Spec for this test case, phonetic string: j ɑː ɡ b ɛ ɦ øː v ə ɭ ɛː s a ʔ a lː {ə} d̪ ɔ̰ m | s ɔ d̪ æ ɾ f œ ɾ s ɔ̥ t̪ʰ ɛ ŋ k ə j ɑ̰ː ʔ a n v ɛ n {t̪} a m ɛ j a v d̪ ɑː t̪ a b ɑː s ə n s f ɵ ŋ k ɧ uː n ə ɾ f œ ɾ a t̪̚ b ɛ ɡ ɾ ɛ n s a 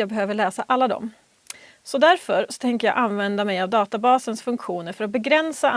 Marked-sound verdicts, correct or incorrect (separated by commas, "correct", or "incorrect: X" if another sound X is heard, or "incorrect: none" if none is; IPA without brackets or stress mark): incorrect: a, incorrect: d̪